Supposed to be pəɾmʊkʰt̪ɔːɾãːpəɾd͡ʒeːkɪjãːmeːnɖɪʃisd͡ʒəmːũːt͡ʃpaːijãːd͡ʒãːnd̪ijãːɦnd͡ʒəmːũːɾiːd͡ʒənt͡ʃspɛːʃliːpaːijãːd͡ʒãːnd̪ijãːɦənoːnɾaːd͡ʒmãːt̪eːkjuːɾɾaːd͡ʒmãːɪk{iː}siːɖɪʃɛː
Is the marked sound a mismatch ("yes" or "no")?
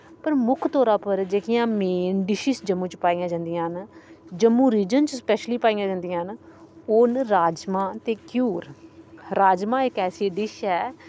yes